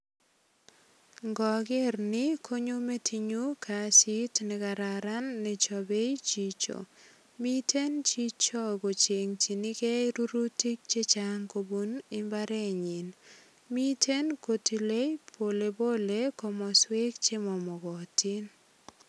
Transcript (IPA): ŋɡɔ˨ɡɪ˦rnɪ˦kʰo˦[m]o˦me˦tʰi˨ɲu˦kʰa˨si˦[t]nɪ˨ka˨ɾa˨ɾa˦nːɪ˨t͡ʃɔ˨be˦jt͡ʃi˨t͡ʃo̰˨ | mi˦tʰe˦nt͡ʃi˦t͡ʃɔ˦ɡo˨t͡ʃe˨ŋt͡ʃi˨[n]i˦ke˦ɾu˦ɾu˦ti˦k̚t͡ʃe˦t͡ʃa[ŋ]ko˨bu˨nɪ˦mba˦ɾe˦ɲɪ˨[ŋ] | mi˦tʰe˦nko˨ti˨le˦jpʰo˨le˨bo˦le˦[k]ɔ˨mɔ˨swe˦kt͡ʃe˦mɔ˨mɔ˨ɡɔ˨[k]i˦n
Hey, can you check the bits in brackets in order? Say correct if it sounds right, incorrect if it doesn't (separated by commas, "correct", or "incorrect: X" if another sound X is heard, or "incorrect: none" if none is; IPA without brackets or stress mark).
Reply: incorrect: ɲ, correct, correct, correct, incorrect: n, correct, incorrect: t